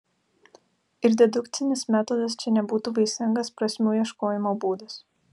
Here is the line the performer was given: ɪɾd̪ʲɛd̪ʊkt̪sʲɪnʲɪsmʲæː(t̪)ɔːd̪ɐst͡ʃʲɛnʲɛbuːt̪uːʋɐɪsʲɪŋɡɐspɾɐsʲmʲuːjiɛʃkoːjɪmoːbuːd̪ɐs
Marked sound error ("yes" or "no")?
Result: no